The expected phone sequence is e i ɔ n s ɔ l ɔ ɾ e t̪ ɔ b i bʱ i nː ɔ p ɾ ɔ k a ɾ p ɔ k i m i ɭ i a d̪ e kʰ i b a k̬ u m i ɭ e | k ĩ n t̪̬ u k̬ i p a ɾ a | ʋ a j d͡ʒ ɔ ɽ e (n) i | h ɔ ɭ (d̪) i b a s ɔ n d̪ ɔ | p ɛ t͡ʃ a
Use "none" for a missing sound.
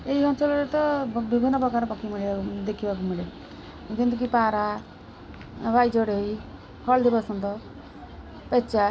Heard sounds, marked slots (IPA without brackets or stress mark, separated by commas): none, d̪